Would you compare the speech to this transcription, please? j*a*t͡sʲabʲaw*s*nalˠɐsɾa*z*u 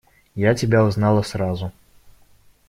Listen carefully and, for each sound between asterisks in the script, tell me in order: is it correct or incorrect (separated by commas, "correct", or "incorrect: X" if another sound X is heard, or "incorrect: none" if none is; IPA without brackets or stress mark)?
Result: correct, incorrect: z, correct